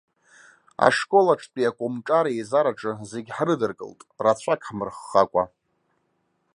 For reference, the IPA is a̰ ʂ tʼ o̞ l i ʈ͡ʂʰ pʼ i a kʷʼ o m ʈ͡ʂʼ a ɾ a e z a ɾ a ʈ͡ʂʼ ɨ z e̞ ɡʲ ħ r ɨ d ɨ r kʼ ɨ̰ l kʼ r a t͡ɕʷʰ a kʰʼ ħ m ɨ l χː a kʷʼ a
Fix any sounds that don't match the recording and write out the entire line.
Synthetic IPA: a̰ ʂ kʼ o̞ l a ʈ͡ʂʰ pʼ i a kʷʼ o m ʈ͡ʂʼ a ɾ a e z a ɾ a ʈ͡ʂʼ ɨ z e̞ ɡʲ ħ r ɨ d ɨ r kʼ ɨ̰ l tʼ r a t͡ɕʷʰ a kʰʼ ħ m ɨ r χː a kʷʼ a